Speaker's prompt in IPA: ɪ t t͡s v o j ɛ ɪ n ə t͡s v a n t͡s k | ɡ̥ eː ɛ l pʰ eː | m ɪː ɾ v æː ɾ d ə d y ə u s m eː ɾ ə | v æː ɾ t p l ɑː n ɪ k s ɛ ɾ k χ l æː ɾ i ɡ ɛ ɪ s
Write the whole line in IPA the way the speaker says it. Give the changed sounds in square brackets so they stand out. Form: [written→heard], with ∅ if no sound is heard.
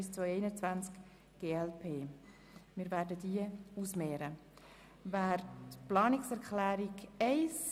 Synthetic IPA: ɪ [t→s] t͡s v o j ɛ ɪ n ə t͡s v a n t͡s k | ɡ̥ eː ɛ l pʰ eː | m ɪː ɾ v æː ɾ d ə d [y→i] ə u s m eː ɾ ə | v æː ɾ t p l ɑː n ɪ k s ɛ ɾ k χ l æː ɾ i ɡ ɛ ɪ s

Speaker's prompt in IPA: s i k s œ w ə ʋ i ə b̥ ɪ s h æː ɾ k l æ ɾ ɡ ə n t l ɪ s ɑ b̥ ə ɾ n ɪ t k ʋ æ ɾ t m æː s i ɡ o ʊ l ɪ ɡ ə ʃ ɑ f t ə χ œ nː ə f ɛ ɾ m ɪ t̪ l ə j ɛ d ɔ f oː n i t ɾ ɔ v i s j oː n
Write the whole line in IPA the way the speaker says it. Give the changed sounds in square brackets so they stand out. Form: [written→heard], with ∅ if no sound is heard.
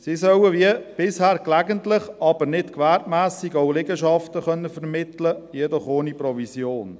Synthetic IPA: s i [k→∅] s œ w ə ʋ i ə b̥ ɪ s h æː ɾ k l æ [ɾ→∅] ɡ ə n t l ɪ [s→χ] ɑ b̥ ə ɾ n ɪ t k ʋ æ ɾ t m æː s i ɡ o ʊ l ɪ ɡ ə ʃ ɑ f t ə χ œ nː ə f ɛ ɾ m ɪ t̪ l ə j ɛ d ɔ [f→χ] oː n i [t→p] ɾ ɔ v i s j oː n

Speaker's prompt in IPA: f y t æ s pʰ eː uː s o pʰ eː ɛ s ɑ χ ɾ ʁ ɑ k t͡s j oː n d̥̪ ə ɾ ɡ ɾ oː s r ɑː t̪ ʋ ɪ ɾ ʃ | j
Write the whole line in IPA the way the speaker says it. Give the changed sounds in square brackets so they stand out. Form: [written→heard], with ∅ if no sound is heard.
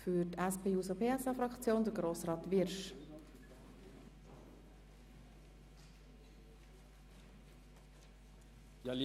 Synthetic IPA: f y t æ s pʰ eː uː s o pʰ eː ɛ s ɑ [χ→f] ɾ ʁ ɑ k t͡s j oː n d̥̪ ə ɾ ɡ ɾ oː s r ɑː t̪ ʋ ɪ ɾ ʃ | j

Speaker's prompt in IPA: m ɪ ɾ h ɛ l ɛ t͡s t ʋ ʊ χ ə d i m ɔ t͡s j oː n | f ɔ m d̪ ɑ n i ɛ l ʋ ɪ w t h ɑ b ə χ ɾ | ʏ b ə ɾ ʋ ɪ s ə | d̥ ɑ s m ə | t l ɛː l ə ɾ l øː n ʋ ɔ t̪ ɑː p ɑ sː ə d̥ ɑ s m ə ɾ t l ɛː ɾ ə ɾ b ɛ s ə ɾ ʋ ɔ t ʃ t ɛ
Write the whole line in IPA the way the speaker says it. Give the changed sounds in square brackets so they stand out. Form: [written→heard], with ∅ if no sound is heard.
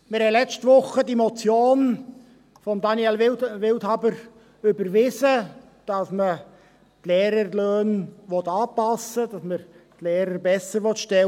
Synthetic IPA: m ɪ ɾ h ɛ l ɛ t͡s t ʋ ʊ χ ə d i m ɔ t͡s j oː n | f ɔ m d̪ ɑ n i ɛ l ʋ ɪ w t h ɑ b ə [χ→∅] ɾ | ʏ b ə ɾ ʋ ɪ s ə | d̥ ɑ s m ə | t l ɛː [l→ɾ] ə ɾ l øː n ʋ ɔ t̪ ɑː p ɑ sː ə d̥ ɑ s m ə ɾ t l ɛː ɾ ə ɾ b ɛ s ə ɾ ʋ ɔ t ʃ t ɛ

